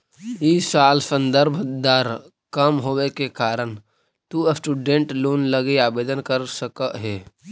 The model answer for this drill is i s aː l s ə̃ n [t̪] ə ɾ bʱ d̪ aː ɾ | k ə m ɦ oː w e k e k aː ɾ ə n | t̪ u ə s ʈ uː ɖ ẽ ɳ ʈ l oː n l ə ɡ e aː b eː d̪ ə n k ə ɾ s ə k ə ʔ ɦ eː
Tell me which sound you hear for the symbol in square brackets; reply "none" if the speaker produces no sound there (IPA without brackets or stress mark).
d̪